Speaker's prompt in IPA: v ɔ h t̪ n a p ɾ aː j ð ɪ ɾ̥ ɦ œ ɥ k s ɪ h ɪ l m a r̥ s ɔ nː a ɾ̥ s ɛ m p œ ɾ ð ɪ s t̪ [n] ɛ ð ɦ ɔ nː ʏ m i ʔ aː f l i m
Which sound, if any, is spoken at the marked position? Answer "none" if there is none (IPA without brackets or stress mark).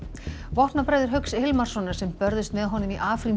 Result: m